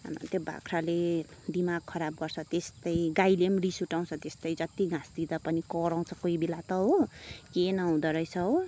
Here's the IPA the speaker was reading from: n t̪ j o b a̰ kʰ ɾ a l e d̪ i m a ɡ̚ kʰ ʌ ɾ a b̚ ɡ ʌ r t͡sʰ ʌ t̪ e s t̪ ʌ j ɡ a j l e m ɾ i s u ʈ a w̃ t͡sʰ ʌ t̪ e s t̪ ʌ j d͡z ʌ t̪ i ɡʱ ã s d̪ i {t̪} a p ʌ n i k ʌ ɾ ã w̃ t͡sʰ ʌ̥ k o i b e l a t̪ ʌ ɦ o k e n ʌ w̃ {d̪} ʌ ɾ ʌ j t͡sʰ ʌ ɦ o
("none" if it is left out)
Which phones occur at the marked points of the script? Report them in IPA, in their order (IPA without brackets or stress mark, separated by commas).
d̪, d̪